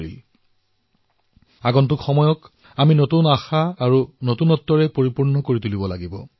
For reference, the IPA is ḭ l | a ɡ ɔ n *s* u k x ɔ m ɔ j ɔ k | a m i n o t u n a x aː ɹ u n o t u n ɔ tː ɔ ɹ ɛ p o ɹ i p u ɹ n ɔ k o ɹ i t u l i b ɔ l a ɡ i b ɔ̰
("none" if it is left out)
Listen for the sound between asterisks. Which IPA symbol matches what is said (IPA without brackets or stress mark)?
t